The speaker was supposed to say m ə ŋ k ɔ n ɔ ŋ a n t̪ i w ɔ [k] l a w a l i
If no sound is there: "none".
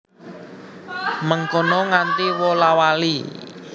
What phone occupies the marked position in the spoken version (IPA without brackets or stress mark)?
none